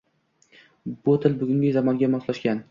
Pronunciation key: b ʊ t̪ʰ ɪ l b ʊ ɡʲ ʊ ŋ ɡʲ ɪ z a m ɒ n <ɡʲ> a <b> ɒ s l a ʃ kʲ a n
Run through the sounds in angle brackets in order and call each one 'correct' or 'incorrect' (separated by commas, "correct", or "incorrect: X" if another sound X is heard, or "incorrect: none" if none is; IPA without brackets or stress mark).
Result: correct, incorrect: m